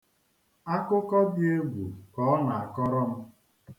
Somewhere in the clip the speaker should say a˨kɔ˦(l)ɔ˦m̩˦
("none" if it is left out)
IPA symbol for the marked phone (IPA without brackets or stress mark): ɾ